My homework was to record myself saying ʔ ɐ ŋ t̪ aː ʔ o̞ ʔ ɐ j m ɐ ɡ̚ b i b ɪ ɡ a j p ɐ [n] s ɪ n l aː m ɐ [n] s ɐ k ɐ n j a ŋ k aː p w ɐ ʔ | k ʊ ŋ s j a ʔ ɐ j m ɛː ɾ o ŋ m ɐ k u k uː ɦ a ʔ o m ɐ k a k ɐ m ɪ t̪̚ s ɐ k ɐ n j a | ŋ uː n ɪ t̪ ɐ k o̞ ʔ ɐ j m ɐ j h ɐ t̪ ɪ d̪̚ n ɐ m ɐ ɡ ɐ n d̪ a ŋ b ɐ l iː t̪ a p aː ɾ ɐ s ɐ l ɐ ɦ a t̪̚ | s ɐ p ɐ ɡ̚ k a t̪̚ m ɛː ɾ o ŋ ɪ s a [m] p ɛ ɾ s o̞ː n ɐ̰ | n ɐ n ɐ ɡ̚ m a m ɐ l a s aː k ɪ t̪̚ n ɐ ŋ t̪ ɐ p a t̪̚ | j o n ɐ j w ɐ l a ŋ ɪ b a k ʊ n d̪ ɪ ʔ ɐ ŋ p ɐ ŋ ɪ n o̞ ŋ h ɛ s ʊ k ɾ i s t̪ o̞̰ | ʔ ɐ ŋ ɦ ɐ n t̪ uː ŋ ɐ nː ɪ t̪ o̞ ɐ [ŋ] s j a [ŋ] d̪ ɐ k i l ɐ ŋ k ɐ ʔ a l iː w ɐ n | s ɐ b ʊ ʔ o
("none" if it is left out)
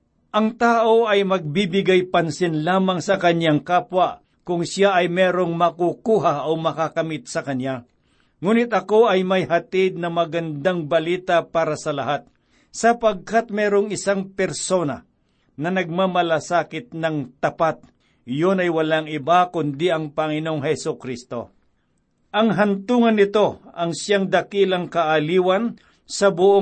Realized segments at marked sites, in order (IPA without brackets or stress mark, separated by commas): n, ŋ, ŋ, ŋ, ŋ